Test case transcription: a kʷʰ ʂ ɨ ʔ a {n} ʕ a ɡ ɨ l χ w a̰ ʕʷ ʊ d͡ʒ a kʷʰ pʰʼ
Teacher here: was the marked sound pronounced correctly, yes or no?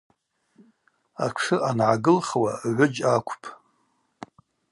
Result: yes